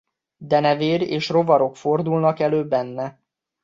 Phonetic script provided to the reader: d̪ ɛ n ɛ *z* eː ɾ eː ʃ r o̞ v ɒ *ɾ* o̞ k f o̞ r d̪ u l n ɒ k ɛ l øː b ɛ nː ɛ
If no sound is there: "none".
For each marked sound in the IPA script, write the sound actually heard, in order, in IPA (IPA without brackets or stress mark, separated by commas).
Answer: v, ɾ